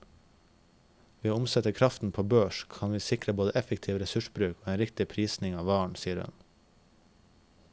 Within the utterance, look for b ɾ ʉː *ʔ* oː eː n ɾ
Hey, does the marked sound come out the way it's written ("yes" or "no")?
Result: no